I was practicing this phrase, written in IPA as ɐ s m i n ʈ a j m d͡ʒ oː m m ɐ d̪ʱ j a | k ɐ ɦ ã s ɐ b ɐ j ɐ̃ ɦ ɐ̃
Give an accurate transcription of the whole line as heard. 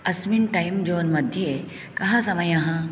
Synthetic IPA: ɐ s m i n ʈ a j m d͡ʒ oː n m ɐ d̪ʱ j e | k ɐ ɦ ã s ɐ m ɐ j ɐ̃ ɦ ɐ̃